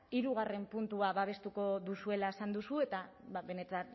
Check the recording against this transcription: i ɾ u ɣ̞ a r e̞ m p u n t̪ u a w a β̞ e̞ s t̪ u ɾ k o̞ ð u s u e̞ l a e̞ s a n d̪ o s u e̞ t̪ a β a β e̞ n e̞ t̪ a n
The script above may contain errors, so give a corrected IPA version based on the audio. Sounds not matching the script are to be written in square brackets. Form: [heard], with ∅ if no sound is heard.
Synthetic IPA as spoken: i ɾ u ɣ̞ a r e̞ m p u n t̪ u a [β] a β̞ e̞ s t̪ u [∅] k o̞ ð u s u e̞ l a e̞ s a n d̪ [u] s u e̞ t̪ a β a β e̞ n e̞ t̪ a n